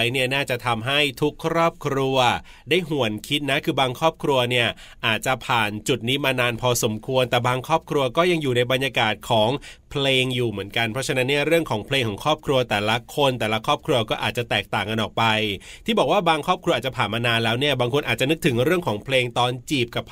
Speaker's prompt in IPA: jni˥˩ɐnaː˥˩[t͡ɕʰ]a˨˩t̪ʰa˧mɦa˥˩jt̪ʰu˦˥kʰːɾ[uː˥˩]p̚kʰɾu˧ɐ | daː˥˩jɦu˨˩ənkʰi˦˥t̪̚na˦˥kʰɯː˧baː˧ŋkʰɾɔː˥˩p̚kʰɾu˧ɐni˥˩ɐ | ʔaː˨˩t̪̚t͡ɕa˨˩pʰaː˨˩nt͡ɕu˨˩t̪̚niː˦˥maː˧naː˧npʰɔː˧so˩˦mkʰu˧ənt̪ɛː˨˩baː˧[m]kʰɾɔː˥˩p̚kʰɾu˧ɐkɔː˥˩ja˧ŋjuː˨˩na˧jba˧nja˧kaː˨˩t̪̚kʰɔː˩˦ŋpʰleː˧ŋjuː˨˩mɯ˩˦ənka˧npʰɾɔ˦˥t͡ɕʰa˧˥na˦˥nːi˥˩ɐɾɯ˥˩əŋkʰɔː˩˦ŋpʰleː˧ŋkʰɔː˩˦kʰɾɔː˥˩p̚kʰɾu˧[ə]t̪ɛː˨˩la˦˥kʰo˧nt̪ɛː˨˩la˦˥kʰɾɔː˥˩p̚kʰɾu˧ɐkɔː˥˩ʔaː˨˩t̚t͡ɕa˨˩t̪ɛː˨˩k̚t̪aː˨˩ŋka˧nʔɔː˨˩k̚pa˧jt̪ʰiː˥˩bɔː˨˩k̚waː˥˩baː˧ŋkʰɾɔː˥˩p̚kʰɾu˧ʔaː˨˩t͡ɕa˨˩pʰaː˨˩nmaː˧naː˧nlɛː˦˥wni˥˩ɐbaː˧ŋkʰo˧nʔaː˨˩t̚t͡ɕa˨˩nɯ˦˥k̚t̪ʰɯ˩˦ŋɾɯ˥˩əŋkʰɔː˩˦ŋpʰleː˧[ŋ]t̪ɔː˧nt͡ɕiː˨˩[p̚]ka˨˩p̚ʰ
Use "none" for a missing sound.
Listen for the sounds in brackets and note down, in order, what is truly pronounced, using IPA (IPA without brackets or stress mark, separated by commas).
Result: t͡ɕ, ɔː˥˩, ŋ, ɐ, ŋ, p̚